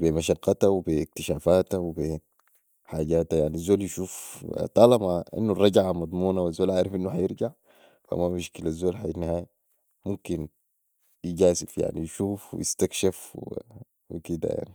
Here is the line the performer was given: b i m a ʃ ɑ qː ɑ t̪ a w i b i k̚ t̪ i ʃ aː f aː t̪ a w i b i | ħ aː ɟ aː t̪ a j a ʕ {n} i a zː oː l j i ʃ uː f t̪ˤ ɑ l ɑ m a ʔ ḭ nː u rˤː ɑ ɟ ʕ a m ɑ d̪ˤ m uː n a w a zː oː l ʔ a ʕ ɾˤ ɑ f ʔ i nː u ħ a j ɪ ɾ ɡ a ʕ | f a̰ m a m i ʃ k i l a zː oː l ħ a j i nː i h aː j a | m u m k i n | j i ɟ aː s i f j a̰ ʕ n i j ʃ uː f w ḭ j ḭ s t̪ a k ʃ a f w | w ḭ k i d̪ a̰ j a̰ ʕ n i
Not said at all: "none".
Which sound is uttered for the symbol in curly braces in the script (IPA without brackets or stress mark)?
n